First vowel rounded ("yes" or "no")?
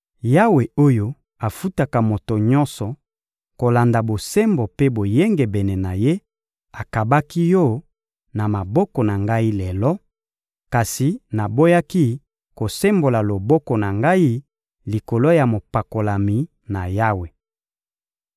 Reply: no